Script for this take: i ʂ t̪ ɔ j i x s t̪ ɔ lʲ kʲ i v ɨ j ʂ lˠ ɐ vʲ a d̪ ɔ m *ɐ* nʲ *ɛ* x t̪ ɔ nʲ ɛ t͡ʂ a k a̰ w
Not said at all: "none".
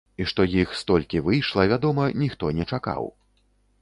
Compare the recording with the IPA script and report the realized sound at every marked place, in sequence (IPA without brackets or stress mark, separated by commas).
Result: ɐ, i